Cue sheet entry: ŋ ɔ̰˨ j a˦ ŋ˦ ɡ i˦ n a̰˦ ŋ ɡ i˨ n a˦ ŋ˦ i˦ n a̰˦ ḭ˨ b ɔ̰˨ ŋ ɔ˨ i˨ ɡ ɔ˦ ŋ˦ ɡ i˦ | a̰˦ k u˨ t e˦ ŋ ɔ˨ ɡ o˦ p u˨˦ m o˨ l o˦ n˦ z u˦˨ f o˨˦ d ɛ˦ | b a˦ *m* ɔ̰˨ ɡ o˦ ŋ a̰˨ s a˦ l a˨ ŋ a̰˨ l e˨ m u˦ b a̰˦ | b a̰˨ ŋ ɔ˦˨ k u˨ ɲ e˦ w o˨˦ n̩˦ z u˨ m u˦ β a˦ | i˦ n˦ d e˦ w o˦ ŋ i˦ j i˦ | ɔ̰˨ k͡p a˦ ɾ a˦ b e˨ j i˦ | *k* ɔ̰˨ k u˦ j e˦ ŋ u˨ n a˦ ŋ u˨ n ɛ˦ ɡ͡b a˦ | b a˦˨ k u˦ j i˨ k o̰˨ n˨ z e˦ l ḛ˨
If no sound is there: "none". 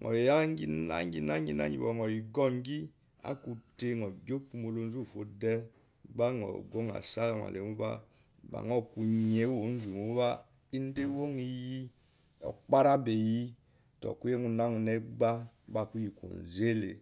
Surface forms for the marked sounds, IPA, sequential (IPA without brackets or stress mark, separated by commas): ŋ, t